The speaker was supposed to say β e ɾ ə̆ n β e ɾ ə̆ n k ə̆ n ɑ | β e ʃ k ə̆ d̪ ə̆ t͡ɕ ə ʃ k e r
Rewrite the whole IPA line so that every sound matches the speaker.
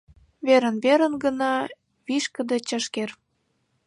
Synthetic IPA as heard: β e ɾ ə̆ n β e ɾ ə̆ n ɡ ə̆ n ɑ | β i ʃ k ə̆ d̪ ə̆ t͡ɕ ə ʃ k e r